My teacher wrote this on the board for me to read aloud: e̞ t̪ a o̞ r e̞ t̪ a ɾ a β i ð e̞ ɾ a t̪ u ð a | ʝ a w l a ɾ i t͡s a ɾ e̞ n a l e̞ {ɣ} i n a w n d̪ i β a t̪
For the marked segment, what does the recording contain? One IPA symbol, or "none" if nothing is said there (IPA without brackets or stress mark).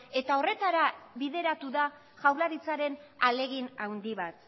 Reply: ɣ